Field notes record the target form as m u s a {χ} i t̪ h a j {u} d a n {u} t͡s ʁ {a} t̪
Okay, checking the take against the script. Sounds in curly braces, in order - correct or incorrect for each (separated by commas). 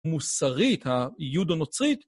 incorrect, correct, incorrect, incorrect